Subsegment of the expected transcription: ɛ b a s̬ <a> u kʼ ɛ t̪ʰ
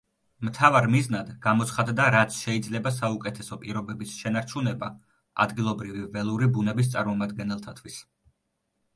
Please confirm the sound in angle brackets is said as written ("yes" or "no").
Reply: yes